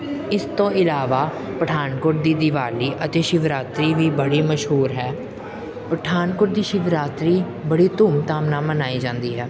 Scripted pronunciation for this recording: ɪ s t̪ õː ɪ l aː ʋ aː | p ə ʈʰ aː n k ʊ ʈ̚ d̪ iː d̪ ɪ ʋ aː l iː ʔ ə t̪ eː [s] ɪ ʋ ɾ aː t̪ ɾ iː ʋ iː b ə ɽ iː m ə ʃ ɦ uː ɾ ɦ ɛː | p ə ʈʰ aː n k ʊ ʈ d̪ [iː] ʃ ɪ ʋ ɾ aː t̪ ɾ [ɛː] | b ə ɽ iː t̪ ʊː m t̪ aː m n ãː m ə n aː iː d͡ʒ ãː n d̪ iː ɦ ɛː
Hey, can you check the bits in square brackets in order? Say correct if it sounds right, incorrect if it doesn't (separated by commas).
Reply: incorrect, correct, incorrect